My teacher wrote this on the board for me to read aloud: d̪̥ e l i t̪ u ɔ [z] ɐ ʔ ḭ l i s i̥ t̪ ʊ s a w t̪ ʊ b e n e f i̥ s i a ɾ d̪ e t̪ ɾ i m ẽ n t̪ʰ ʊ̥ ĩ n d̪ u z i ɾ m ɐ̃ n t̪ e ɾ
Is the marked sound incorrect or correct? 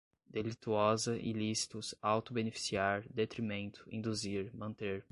correct